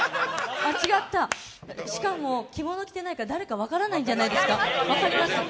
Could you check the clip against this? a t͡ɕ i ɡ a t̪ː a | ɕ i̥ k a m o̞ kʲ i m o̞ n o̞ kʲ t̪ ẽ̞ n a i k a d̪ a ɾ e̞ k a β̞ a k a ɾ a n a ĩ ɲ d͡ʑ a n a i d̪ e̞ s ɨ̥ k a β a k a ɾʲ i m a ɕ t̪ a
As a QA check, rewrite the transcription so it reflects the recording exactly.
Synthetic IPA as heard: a t͡ɕ i ɡ a t̪ː a | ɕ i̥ k a m o̞ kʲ i m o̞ n o̞ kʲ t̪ e̞ n a i k a d̪ a ɾ e̞ k a β̞ a k a ɾ a n a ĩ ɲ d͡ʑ a n a i d̪ e̞ s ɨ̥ k a β a k a ɾʲ i m a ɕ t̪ a